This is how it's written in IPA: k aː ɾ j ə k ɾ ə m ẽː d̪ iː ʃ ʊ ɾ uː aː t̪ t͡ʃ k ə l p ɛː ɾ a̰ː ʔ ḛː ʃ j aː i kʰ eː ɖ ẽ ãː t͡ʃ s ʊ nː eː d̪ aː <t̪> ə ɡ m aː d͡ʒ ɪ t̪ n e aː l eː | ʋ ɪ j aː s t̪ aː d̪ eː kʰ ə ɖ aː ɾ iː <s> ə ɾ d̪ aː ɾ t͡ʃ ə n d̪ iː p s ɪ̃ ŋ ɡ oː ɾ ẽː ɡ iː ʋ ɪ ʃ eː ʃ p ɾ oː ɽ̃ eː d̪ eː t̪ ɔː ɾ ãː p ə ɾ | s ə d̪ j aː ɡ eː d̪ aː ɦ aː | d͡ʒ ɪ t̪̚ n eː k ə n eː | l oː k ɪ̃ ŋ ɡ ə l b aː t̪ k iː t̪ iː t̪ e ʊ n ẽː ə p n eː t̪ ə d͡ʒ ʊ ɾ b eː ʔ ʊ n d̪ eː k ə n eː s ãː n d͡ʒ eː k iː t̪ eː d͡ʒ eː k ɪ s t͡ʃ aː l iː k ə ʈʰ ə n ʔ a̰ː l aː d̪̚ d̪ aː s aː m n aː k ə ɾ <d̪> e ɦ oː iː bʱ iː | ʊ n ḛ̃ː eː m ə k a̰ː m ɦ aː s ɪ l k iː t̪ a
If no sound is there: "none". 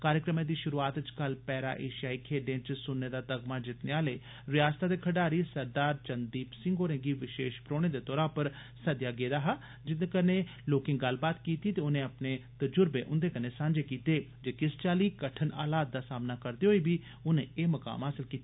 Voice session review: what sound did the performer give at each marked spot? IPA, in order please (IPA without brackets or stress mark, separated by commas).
t̪, s, d̪